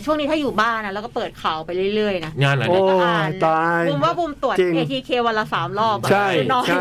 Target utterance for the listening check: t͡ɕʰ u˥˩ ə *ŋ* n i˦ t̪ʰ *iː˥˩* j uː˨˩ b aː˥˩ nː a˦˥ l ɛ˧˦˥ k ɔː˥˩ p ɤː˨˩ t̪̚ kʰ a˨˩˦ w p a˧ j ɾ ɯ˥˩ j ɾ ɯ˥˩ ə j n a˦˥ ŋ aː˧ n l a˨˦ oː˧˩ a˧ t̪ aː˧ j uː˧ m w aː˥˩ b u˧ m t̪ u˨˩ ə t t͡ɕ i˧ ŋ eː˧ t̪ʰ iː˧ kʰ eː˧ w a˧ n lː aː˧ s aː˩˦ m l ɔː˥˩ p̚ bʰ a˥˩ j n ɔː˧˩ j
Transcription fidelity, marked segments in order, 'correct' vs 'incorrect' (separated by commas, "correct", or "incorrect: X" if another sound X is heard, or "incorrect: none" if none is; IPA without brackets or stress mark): correct, incorrect: aː˥˩